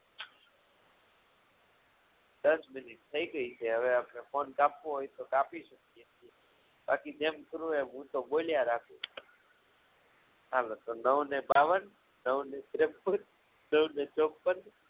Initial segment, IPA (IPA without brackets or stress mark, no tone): d̪